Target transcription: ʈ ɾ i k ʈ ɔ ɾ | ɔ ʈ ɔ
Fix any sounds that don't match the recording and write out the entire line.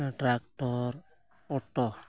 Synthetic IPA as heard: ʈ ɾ a k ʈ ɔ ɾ | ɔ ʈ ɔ